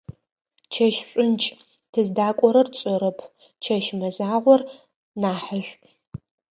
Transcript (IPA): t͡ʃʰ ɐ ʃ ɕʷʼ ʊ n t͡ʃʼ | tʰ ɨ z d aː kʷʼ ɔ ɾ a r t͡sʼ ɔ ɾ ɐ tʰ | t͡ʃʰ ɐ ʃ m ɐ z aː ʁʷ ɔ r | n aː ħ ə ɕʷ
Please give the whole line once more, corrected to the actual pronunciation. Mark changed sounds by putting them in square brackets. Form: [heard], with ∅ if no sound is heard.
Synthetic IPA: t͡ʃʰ ɐ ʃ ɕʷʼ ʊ n t͡ʃʼ | tʰ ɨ z d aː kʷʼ ɔ ɾ [ɐ] r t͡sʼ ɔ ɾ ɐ [pʰ] | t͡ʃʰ ɐ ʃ m ɐ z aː ʁʷ ɔ r | n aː ħ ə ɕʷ